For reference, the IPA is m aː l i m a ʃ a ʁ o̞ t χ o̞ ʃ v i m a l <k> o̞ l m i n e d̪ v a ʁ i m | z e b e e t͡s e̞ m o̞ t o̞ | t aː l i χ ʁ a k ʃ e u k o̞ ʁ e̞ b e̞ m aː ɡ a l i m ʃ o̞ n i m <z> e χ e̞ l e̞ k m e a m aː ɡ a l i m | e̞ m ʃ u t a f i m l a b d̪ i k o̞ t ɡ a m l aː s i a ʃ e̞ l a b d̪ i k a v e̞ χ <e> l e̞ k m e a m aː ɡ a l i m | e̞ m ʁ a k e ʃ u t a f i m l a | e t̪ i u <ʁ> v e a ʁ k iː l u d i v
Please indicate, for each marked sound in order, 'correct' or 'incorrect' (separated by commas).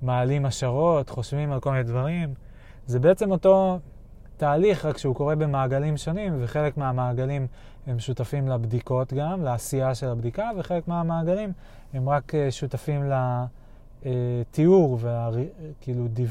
correct, incorrect, correct, correct